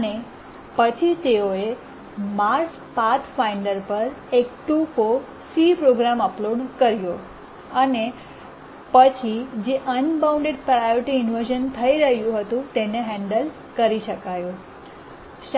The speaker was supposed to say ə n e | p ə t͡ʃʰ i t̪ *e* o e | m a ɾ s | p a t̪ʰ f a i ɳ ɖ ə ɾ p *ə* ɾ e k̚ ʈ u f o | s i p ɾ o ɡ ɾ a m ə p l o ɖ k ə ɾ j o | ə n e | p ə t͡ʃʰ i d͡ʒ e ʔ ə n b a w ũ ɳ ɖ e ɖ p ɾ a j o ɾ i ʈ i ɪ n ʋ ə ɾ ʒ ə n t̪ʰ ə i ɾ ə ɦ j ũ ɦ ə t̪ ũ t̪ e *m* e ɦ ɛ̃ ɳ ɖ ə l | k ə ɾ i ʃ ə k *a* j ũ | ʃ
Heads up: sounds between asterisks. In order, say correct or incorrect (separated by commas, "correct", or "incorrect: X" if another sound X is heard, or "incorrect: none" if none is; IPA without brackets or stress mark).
correct, correct, incorrect: n, correct